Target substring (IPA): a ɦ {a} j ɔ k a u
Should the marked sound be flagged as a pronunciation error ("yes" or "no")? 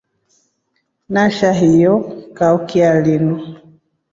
yes